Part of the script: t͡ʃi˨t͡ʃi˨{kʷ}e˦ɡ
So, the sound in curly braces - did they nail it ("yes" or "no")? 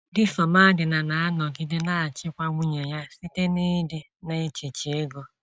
no